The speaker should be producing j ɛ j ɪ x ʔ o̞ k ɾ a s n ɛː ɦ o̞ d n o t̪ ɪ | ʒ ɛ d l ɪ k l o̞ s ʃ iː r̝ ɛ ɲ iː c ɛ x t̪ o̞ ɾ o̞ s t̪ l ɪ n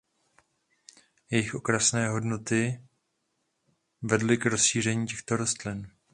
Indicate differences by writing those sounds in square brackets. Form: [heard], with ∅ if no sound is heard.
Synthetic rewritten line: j ɛ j ɪ x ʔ o̞ k ɾ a s n ɛː ɦ o̞ d n o t̪ ɪ | [v] ɛ d l ɪ k [ɾ] o̞ s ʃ iː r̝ ɛ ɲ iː c ɛ x t̪ o̞ ɾ o̞ s t̪ l ɪ n